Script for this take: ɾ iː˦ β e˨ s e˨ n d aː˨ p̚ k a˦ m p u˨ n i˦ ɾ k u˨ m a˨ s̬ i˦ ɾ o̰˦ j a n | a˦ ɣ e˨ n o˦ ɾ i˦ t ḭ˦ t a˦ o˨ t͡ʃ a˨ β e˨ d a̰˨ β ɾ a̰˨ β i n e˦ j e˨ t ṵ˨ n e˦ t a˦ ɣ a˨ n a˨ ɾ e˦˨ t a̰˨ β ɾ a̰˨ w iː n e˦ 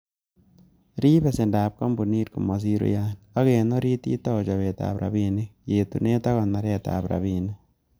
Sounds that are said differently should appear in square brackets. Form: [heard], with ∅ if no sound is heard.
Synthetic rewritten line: ɾ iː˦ β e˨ s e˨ n d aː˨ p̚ k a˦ m [b] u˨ n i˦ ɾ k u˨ m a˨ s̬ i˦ ɾ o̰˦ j a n | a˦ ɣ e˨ n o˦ ɾ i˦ t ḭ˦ t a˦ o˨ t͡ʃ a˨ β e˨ [t] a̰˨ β ɾ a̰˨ β i n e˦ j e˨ t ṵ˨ n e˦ t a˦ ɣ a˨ n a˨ ɾ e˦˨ t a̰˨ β ɾ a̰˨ [β] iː n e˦